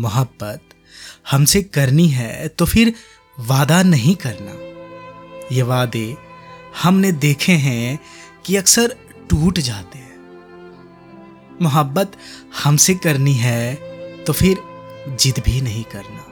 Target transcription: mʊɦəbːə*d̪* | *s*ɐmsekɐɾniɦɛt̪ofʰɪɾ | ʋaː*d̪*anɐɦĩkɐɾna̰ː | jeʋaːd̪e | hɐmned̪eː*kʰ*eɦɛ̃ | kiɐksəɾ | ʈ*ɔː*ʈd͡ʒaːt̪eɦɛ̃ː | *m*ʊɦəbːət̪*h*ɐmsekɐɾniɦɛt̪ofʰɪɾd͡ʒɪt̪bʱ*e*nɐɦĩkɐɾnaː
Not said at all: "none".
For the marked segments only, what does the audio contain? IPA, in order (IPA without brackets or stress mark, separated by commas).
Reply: t̪, h, d̪, kʰ, uː, m, h, i